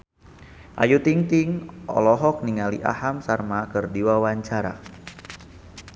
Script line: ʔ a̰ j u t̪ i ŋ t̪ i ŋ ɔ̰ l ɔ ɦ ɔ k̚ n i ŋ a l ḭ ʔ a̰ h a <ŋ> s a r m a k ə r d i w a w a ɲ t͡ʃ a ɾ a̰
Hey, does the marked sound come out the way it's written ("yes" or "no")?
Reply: no